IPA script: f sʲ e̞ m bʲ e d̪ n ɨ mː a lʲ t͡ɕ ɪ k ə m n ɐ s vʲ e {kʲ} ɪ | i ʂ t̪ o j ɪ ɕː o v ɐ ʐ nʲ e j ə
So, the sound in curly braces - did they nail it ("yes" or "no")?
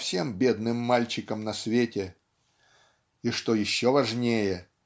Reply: no